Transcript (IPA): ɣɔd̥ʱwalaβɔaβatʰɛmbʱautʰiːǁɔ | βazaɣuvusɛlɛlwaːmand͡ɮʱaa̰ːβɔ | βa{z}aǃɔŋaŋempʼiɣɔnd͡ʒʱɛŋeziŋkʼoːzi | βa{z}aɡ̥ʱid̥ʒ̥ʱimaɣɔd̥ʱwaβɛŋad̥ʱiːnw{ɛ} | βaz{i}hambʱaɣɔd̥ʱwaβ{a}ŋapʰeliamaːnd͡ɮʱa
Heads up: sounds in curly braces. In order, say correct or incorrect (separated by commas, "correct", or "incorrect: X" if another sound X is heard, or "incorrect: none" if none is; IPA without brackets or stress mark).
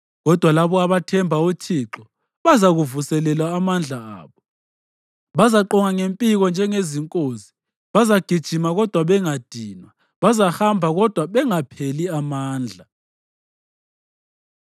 correct, correct, incorrect: a, incorrect: a, incorrect: ɛ